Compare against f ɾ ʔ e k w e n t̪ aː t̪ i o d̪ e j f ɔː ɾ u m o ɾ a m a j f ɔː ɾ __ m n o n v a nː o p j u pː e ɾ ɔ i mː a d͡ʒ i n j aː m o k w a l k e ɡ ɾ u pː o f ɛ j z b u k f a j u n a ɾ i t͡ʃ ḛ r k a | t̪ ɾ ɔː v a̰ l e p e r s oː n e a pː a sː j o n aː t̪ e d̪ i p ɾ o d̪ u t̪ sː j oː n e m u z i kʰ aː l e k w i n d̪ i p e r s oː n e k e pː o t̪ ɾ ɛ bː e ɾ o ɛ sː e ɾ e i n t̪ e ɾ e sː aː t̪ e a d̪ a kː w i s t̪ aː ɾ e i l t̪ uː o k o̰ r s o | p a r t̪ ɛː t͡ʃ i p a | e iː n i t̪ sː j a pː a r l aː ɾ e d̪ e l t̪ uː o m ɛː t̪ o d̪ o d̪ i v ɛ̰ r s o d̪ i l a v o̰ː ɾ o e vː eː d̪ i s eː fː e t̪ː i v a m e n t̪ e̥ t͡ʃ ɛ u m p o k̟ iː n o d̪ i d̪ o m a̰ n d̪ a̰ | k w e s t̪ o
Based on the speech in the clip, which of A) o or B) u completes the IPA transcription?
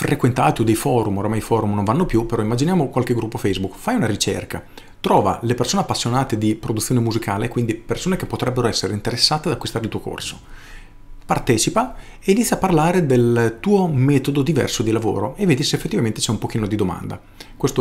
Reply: B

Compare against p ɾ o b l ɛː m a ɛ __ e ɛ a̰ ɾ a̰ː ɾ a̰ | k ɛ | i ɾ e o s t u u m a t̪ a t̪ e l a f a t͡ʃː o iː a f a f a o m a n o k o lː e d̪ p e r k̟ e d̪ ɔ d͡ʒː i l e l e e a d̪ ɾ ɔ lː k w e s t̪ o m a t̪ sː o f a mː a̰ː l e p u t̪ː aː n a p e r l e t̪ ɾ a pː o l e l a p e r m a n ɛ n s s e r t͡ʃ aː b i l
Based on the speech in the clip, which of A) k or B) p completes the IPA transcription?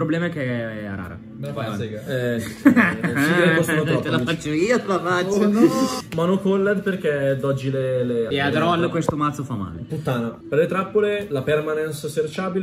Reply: A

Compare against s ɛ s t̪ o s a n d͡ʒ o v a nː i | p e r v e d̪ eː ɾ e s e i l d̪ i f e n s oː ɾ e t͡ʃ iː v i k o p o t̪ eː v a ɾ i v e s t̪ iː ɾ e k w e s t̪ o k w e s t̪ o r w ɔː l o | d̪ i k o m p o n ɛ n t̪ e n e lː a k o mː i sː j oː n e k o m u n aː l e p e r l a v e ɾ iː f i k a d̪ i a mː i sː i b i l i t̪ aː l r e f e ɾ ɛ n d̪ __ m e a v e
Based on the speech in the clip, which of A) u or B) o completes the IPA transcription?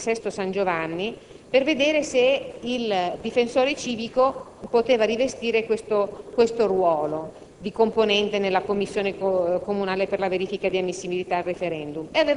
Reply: A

